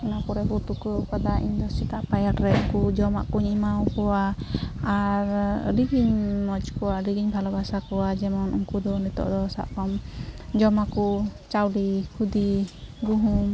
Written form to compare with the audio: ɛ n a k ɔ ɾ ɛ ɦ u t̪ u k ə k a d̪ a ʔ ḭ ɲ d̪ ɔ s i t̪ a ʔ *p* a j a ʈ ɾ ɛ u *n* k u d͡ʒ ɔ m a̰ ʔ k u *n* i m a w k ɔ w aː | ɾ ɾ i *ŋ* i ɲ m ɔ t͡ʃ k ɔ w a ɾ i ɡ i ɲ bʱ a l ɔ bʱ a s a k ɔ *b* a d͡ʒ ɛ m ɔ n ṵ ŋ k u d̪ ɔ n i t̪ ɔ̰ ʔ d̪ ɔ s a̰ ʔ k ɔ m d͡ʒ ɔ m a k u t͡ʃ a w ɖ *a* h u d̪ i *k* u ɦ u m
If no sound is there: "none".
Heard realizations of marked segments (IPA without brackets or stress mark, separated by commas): p, ŋ, ɲ, ɡ, w, i, ɡ